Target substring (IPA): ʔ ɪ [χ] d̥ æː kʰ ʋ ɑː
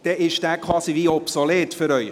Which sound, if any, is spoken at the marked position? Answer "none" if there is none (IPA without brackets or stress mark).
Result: ʃ